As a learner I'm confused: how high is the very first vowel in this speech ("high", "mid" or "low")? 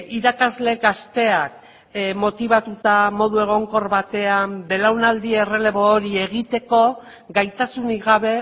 high